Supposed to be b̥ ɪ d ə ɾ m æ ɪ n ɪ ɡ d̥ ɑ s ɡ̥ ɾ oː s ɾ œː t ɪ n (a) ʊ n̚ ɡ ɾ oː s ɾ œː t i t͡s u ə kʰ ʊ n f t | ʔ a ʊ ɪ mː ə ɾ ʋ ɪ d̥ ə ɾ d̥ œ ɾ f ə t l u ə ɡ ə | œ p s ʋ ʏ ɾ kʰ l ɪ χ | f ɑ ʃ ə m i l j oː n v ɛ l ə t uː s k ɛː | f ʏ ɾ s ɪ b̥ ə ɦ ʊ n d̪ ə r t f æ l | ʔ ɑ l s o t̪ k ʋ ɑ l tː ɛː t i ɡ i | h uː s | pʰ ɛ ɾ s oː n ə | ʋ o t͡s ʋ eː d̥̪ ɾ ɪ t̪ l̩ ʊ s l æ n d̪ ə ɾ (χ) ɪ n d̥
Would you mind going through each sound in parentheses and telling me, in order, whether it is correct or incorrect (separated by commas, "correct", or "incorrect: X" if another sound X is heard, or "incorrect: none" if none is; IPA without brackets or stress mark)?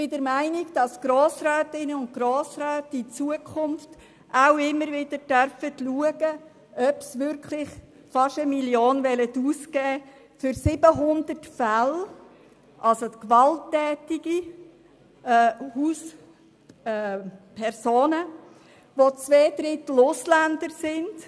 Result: incorrect: ə, incorrect: s